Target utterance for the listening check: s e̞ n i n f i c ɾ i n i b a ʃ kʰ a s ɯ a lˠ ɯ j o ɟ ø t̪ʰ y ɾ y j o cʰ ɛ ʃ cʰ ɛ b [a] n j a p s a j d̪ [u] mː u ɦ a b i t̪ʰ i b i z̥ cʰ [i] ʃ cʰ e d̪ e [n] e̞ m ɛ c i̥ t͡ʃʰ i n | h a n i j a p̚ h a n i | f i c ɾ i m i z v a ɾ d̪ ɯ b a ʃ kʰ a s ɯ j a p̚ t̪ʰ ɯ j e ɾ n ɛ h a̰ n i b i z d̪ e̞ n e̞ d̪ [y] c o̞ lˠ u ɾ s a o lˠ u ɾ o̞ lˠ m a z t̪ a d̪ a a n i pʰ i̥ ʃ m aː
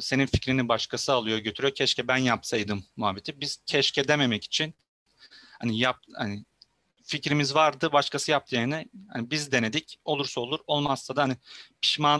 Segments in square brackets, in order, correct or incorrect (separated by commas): incorrect, incorrect, incorrect, incorrect, incorrect